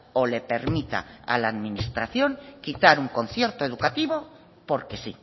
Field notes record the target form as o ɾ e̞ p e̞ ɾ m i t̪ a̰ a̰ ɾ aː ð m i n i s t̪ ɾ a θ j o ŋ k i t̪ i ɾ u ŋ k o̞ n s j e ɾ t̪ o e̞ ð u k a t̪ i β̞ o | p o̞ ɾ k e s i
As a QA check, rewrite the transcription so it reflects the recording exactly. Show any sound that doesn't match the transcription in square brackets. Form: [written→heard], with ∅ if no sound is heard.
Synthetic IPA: o [ɾ→l] e̞ p e̞ ɾ m i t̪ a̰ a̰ [ɾ→l] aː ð m i n i s t̪ ɾ a θ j o ŋ k i t̪ [i→a] ɾ u ŋ k o̞ n [s→θ] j e ɾ t̪ o e̞ ð u k a t̪ i β̞ o | p o̞ ɾ k e s i